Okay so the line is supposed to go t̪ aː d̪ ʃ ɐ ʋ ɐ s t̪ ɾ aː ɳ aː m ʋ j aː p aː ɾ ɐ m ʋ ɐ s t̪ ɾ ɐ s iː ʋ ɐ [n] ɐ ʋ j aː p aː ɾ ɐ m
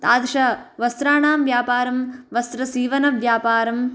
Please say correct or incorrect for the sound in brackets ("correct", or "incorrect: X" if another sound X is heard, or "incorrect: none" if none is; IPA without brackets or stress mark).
correct